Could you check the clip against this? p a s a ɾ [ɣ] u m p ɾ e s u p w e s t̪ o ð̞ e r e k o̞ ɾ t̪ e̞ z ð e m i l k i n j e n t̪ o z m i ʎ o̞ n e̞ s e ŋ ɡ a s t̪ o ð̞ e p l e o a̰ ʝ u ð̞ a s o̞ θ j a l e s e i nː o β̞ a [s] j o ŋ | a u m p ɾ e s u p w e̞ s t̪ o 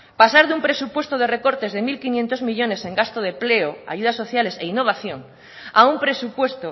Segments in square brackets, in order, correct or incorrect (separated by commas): incorrect, incorrect